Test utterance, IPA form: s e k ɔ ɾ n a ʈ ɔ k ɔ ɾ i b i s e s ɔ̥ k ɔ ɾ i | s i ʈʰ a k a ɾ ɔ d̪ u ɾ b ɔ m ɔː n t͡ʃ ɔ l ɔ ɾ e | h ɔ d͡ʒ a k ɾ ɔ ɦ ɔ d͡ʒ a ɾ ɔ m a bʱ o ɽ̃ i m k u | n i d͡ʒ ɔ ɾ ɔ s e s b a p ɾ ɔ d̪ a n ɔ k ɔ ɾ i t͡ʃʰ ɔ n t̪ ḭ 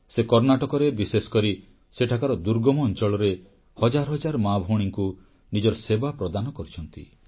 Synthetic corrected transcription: s e k ɔ ɾ n a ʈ ɔ k ɔ ɾ e b i s e s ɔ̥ k ɔ ɾ i | s e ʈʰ a k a ɾ ɔ d̪ u ɾ ɡ ɔ m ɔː n t͡ʃ ɔ ɭ ɔ ɾ e | h ɔ d͡ʒ a ɾ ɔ ɦ ɔ d͡ʒ a ɾ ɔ m a bʱ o ɽ̃ i ŋ k u | n i d͡ʒ ɔ ɾ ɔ s e b a p ɾ ɔ d̪ a n ɔ k ɔ ɾ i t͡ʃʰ ɔ n t̪ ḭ